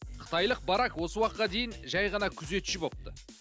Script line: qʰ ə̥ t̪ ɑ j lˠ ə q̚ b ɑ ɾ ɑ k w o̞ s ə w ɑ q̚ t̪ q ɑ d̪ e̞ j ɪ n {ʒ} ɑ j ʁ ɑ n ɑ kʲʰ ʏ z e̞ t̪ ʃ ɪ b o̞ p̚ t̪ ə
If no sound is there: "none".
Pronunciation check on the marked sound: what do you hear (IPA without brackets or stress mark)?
ʒ